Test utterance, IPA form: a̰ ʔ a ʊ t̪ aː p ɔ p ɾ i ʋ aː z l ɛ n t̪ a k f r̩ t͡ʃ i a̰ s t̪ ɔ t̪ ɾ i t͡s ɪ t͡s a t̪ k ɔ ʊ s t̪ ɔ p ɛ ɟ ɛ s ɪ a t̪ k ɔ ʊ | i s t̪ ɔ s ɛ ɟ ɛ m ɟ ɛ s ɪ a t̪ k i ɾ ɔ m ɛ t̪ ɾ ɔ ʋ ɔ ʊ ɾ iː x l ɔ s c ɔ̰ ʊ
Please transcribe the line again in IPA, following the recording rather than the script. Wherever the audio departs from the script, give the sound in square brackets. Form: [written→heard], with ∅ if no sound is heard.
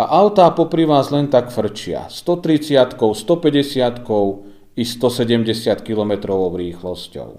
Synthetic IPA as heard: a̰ ʔ a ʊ t̪ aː p ɔ p ɾ i ʋ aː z l ɛ n t̪ a k f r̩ t͡ʃ [i→ɪ] a̰ s t̪ ɔ t̪ ɾ i t͡s ɪ [t͡s→∅] a t̪ k ɔ ʊ s t̪ ɔ p ɛ ɟ ɛ s ɪ a t̪ k ɔ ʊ | i s t̪ ɔ s ɛ ɟ ɛ m ɟ ɛ s ɪ a t̪ k i [ɾ→l] ɔ m ɛ t̪ ɾ ɔ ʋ ɔ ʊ ɾ iː x l ɔ s c ɔ̰ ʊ